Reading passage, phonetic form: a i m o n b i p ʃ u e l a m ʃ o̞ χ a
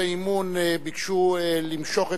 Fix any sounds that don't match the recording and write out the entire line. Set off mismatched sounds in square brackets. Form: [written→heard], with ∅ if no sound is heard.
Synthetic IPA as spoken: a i m [o→u] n b i [p→k] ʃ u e l [a→i] m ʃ o̞ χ [a→e]